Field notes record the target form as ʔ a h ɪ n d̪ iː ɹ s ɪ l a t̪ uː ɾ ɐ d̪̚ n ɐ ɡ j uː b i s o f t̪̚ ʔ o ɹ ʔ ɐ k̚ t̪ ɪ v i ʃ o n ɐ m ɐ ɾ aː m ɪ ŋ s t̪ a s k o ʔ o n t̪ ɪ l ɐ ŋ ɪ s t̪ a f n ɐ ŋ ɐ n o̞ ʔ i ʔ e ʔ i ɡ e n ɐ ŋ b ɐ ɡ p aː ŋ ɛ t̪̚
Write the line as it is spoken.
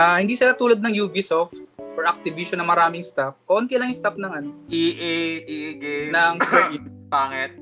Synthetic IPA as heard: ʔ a h ɪ n d̪ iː s ɪ l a t̪ uː l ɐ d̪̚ n ɐ ŋ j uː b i s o f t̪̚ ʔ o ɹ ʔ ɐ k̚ t̪ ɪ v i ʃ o n ɐ m ɐ ɾ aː m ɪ ŋ s t̪ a f k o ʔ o n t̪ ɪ l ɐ ŋ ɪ s t̪ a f n ɐ ŋ ɐ n o̞ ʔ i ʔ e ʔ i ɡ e n ɐ ŋ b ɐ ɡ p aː ŋ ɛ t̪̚